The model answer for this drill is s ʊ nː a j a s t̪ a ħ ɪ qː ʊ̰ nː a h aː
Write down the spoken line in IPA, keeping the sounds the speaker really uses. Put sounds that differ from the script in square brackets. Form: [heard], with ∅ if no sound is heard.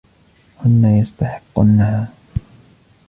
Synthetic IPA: [h] ʊ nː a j a s t̪ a ħ ɪ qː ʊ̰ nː a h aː

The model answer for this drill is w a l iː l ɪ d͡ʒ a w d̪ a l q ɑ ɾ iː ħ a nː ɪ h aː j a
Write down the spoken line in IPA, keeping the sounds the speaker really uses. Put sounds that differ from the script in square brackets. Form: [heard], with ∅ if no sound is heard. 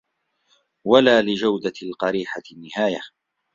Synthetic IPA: w a l [aː] l ɪ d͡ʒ a w d̪ a l q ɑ ɾ iː ħ a nː ɪ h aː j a

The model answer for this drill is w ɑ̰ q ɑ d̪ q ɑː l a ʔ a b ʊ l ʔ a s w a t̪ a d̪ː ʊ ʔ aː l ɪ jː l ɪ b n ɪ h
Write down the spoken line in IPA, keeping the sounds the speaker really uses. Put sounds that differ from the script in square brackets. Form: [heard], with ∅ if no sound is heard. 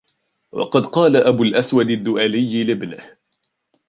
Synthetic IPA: w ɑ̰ q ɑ d̪ q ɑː l a ʔ a b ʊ l ʔ a s w a [d̪] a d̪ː ʊ ʔ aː l ɪ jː l ɪ b n ɪ h

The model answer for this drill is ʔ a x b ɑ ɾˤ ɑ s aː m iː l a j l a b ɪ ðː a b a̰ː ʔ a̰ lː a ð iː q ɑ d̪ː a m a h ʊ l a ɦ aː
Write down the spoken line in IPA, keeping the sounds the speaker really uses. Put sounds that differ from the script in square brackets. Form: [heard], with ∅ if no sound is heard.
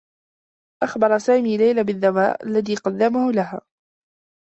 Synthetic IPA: ʔ a x b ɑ ɾˤ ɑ s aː m iː l a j l a b ɪ ðː a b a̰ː ʔ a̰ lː a ð iː q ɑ d̪ː a m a h ʊ l a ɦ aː

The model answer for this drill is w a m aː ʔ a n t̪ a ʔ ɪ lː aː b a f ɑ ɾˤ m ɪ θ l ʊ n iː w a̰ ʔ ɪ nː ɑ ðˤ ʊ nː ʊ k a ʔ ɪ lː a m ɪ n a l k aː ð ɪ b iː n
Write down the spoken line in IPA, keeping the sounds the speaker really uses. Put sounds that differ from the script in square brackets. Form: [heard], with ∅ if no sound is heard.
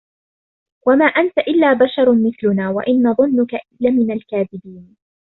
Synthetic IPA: w a m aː ʔ a n t̪ a ʔ ɪ lː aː b a [ʃ] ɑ ɾˤ m ɪ θ l ʊ n [aː] w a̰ ʔ ɪ nː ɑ ðˤ ʊ nː ʊ k a ʔ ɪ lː a m ɪ n a l k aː ð ɪ b iː n

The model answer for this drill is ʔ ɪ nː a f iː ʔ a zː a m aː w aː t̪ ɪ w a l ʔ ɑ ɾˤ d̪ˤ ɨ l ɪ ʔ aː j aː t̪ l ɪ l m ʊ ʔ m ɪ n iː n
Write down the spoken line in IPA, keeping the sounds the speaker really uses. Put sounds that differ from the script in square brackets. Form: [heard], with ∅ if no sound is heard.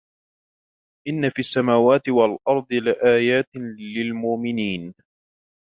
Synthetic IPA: ʔ ɪ nː a f iː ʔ a [sː] a m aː w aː t̪ ɪ w a l ʔ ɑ ɾˤ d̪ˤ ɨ l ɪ ʔ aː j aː t̪ l ɪ l m ʊ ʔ m ɪ n iː n

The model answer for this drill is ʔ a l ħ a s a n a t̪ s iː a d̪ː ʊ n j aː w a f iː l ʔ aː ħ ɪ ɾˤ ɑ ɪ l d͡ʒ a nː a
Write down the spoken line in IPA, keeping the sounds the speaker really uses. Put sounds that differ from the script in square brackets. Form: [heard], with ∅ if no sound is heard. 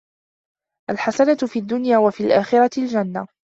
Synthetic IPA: ʔ a l ħ a s a n a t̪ [f] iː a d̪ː ʊ n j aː w a f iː l ʔ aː [x] ɪ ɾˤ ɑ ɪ l d͡ʒ a nː a

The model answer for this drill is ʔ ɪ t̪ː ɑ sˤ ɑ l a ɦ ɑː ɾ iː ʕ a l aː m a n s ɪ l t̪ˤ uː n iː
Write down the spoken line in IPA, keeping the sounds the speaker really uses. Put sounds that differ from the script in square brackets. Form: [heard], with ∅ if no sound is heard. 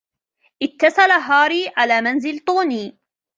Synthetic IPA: ʔ ɪ t̪ː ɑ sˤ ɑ l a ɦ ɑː ɾ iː ʕ a l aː m a n [z] ɪ l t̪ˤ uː n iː

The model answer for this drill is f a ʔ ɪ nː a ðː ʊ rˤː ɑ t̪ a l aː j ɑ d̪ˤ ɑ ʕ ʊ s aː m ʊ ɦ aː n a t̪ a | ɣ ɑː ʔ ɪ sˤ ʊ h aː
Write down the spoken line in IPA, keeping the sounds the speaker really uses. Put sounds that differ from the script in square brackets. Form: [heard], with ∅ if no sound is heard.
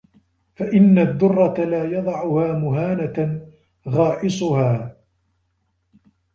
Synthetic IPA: f a ʔ ɪ nː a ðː ʊ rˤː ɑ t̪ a l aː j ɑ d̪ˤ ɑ ʕ ʊ [h] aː m ʊ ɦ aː n a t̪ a | ɣ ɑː ʔ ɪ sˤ ʊ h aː

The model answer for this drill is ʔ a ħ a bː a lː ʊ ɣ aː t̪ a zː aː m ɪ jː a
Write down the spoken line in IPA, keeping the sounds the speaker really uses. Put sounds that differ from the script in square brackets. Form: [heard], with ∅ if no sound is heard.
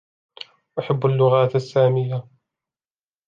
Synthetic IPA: ʔ a ħ a bː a lː ʊ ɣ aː t̪ a [sː] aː m ɪ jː a

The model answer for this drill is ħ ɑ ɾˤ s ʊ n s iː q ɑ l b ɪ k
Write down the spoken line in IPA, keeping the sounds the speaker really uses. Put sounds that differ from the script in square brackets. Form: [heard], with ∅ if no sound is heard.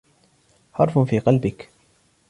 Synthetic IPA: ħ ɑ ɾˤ [f] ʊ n [f] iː q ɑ l b ɪ k

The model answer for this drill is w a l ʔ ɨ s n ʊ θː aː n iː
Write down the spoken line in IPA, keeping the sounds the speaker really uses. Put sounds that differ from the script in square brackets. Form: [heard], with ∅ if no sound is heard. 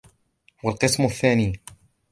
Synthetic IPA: w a l [q] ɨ s [m] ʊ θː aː n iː

